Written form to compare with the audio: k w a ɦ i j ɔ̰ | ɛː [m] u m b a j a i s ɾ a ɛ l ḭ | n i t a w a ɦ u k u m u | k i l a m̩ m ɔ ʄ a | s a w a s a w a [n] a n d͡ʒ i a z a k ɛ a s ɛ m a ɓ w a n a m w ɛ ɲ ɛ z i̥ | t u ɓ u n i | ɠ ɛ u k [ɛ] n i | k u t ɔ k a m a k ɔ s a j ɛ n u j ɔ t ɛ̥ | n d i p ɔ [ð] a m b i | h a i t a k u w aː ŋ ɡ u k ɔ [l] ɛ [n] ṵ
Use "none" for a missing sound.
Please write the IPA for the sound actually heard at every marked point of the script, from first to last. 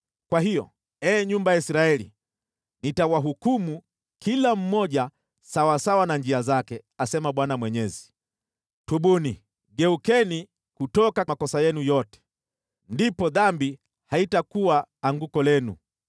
ɲ, n, ɛ, ð, l, n

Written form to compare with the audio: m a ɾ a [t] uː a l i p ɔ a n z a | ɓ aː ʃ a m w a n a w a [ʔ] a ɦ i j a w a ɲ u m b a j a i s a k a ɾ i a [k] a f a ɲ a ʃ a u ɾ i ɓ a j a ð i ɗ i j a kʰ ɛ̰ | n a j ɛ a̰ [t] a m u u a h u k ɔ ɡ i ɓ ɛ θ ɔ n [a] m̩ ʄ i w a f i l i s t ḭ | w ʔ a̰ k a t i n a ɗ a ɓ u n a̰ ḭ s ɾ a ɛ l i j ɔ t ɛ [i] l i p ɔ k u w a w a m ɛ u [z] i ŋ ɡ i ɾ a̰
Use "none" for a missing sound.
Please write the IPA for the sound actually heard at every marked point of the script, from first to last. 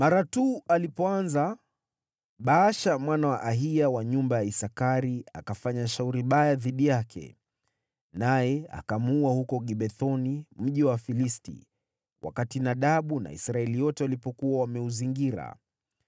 t, ʔ, k, k, i, a, z

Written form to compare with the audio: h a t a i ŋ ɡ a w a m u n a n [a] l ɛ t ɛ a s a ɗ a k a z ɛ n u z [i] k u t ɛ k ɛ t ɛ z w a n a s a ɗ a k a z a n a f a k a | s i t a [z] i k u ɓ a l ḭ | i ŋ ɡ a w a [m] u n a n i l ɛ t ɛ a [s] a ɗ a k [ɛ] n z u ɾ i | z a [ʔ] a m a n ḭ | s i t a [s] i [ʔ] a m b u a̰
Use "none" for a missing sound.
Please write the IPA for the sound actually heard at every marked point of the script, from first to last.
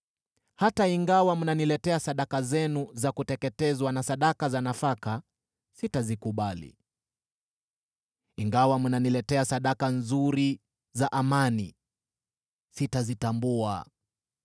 i, a, z, m, s, a, ʔ, z, t

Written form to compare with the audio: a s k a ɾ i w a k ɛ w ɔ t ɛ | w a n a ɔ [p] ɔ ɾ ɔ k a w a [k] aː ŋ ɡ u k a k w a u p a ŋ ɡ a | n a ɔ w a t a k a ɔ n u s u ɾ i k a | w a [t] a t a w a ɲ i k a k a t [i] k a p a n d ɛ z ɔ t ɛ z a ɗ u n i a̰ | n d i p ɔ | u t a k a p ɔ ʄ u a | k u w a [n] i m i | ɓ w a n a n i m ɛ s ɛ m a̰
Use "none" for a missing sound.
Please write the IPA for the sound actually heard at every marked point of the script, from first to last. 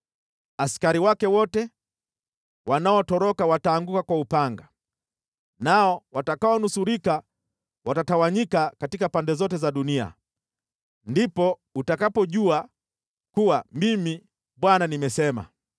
t, t, t, i, m

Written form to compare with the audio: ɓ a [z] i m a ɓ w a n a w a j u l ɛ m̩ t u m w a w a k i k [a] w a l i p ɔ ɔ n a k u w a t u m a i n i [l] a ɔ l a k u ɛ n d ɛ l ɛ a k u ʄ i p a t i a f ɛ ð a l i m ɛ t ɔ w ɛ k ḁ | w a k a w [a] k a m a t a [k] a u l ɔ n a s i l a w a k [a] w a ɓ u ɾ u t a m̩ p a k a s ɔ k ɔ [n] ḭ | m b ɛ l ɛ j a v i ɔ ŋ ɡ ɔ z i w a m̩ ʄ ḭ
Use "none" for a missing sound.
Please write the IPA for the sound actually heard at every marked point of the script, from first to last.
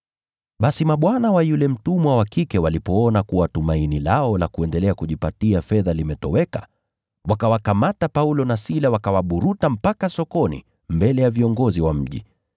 s, ɛ, l, a, p, a, n

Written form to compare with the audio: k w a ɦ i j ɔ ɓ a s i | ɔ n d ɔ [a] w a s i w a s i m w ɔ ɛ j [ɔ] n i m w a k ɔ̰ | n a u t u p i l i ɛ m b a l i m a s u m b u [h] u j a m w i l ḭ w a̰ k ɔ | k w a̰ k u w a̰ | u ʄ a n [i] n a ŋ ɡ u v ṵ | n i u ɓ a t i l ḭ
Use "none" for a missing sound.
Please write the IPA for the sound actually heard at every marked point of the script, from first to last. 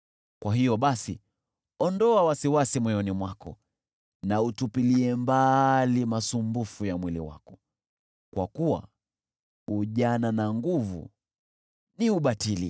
a, ɔ, f, a

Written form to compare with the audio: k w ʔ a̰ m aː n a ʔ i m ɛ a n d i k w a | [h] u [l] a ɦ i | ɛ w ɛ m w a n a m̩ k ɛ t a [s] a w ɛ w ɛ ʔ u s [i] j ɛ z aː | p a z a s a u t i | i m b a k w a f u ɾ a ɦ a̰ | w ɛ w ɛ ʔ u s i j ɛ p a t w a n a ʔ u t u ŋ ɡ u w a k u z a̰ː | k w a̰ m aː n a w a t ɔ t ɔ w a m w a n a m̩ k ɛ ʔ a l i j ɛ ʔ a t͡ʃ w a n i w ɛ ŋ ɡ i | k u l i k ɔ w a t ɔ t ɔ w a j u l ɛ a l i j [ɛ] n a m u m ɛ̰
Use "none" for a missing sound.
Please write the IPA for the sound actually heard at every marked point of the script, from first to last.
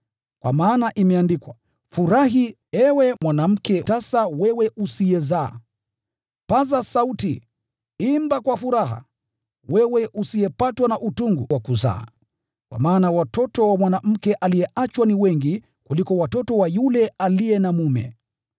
f, ɾ, s, i, ɛ

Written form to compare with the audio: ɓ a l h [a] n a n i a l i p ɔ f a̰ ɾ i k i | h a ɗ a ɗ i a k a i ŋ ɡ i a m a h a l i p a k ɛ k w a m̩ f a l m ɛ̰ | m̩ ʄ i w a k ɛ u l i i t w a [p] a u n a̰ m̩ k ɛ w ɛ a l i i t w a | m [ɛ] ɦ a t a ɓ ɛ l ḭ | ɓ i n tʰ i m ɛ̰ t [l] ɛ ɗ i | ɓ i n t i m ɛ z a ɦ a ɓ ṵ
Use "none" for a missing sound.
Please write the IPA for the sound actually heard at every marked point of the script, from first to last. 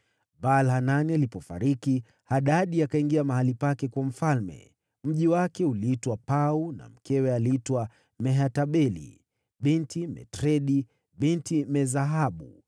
a, p, ɛ, ɾ

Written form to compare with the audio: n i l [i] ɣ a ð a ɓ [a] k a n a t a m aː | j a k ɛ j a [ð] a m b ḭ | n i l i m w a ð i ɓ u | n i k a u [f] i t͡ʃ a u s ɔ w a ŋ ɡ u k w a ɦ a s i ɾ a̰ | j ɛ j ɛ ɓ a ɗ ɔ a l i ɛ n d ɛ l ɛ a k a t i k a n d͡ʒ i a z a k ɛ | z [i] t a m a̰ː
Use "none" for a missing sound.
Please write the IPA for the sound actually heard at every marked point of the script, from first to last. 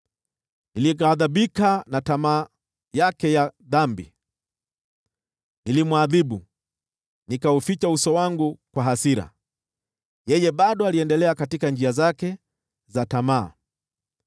i, i, ð, f, a

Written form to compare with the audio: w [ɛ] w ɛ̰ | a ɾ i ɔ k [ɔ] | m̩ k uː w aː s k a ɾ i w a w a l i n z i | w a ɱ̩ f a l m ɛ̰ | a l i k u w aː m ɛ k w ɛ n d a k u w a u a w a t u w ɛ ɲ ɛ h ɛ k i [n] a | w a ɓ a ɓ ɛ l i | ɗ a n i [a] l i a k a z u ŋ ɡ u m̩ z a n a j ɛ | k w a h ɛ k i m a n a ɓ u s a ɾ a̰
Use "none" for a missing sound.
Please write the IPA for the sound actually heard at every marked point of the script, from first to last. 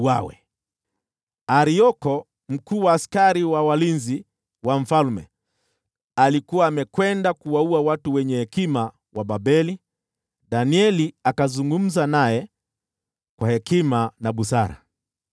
a, ɔ, m, ɛ

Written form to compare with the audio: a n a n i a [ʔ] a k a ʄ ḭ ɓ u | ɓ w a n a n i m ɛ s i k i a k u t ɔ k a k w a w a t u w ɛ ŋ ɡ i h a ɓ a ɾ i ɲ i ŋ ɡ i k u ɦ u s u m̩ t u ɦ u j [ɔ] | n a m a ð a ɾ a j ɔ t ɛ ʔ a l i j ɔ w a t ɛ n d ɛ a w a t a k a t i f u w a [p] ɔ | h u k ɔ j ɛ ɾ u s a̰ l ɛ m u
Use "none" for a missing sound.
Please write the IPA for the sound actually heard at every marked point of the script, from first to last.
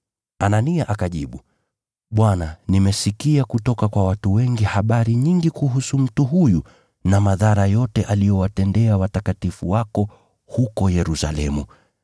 ʔ, u, k

